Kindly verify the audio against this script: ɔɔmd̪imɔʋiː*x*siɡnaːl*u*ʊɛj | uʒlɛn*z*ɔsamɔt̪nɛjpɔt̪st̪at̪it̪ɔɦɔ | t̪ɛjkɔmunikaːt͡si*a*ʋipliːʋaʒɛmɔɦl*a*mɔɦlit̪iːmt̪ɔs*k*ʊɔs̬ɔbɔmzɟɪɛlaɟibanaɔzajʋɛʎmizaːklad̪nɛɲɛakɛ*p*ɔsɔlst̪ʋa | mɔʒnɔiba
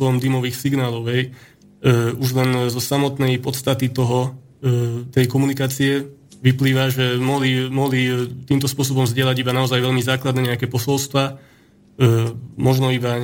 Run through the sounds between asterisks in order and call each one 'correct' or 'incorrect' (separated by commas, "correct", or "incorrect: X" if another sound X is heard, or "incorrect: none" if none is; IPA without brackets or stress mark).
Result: correct, incorrect: ɔ, correct, incorrect: ɛ, incorrect: i, incorrect: p, correct